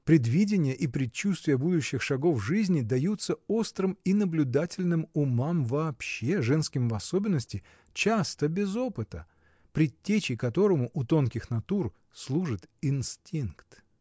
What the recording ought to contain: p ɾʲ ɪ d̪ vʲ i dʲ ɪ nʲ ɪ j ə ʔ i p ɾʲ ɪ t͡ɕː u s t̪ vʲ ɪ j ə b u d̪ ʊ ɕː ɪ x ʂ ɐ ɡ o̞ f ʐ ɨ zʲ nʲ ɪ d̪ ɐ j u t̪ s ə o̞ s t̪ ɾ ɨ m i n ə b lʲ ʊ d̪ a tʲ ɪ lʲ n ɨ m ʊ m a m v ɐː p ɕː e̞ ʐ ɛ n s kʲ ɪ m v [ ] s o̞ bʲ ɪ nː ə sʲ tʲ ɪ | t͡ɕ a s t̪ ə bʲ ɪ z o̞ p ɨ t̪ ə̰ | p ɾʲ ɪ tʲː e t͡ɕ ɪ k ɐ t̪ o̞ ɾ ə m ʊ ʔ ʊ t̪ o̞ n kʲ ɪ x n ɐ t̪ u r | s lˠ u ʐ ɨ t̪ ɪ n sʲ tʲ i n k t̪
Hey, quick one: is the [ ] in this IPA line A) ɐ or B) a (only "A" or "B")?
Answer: A